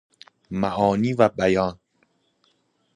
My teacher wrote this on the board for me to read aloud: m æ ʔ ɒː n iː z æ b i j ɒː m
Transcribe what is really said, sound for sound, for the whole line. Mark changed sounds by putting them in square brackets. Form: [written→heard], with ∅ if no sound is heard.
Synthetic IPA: m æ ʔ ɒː n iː [z→v] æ b [i→æ] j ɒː [m→n]